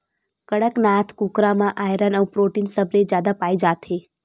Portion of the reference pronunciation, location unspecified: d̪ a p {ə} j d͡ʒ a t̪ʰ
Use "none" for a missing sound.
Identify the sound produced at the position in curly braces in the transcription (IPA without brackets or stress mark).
a